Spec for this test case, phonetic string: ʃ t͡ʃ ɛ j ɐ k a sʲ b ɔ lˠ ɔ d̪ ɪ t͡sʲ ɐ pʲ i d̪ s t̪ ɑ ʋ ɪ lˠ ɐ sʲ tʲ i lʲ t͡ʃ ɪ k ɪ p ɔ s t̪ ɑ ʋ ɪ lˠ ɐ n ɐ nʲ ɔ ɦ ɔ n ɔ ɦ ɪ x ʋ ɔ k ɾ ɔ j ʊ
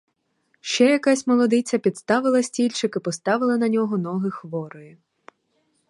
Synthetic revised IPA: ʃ t͡ʃ ɛ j ɐ k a sʲ m ɔ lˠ ɔ d̪ ɪ t͡sʲ ɐ pʲ i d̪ s t̪ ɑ ʋ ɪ lˠ ɐ sʲ tʲ i lʲ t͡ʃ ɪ k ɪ p ɔ s t̪ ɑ ʋ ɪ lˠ ɐ n ɐ nʲ ɔ ɦ ɔ n ɔ ɦ ɪ x ʋ ɔ ɾ ɔ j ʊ